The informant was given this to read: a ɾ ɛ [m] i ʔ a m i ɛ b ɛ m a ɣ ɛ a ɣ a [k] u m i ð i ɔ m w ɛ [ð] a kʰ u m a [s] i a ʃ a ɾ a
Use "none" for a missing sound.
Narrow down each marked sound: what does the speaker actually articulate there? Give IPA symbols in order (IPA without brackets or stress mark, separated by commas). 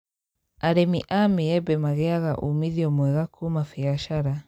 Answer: m, ʔ, ɣ, f